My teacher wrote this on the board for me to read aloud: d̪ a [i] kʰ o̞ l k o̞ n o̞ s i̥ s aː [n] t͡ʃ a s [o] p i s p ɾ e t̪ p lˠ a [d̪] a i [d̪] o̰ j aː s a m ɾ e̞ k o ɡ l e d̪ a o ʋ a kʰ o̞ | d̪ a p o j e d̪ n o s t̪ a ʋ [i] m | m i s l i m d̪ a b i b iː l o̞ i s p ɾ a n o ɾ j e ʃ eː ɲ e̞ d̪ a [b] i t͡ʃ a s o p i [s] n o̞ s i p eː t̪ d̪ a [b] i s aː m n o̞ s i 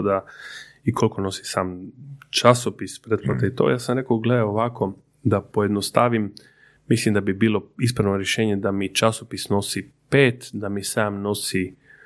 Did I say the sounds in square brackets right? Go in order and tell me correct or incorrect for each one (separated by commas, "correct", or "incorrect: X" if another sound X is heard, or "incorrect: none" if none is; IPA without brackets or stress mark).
correct, incorrect: m, correct, incorrect: t̪, incorrect: t̪, correct, incorrect: m, correct, incorrect: m